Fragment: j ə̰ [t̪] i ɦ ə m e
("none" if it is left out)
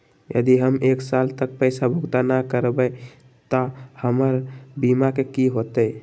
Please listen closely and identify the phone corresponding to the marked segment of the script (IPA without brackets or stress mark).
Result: d̪